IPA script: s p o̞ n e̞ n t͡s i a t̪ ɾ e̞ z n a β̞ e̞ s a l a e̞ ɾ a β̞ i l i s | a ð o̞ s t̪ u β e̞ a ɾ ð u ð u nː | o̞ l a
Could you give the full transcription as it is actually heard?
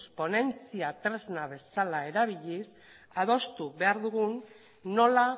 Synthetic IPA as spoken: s p o̞ n e̞ n t͡s i a t̪ ɾ e̞ z n a β̞ e̞ s a l a e̞ ɾ a β̞ i ʎ i s | a ð o̞ s t̪ u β e̞ a ɾ ð u ɣ u nː | o̞ l a